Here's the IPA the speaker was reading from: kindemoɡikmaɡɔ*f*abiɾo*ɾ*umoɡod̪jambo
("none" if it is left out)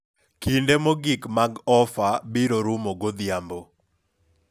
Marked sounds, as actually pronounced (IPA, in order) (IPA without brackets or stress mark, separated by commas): f, ɾ